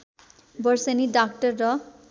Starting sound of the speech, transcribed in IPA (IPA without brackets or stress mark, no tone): b